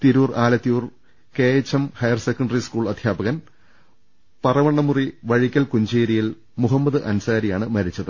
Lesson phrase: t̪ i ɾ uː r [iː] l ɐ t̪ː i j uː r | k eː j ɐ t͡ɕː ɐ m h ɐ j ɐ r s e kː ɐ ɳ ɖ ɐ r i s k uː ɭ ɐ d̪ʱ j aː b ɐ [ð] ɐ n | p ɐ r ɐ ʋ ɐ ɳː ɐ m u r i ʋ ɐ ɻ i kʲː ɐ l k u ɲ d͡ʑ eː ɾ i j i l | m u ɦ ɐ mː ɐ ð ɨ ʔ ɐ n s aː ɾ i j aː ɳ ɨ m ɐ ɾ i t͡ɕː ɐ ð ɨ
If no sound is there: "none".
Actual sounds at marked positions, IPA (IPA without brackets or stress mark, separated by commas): aː, ɣ